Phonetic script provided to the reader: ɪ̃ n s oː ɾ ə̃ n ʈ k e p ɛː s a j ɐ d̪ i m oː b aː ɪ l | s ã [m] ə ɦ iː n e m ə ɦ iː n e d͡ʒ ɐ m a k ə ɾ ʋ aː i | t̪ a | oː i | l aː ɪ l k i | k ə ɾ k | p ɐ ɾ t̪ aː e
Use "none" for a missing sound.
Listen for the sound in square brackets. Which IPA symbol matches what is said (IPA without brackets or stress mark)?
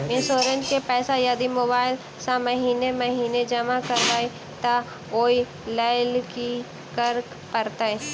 m